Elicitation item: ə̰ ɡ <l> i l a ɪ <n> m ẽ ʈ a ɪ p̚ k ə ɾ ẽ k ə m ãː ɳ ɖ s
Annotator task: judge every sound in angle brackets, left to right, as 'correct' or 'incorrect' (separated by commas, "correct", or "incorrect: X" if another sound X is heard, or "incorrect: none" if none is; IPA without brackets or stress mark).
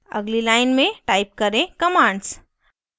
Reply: correct, correct